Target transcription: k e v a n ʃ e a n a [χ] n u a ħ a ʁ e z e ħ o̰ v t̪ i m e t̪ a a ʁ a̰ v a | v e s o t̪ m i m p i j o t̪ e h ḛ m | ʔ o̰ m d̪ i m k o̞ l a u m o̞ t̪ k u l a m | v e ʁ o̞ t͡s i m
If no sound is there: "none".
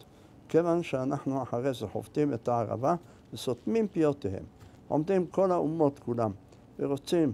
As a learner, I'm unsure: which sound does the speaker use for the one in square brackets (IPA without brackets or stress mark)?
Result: ħ